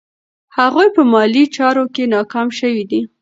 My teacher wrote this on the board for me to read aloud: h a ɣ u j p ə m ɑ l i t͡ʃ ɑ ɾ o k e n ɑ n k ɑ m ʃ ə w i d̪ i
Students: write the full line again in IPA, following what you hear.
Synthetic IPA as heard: h a ɣ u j p ə m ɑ l i t͡ʃ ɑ ɾ o k e n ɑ k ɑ m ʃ ə w i d̪ i